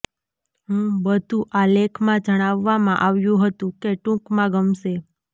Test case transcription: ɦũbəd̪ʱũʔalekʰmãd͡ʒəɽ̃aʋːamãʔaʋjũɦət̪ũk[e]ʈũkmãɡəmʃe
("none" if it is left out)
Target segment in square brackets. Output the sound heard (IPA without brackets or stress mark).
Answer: e